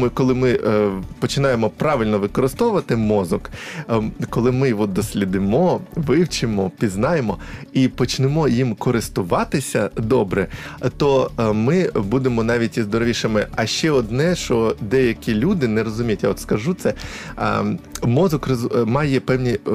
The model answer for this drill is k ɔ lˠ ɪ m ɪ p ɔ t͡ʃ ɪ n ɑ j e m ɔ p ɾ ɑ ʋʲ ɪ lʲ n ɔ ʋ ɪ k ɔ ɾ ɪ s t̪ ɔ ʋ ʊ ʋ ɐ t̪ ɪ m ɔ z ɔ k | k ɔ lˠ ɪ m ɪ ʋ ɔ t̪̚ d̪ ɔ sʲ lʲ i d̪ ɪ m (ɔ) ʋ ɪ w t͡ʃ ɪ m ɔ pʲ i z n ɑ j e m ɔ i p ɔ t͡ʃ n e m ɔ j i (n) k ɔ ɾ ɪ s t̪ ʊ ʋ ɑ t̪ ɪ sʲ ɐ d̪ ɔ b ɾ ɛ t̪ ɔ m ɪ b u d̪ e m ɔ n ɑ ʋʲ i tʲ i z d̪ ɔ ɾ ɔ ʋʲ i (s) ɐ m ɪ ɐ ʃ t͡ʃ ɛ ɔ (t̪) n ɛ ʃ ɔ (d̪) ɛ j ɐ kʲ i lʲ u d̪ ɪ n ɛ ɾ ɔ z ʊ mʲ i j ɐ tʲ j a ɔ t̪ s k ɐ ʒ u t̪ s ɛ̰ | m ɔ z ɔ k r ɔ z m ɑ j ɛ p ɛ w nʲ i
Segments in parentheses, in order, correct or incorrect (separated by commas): correct, incorrect, incorrect, incorrect, correct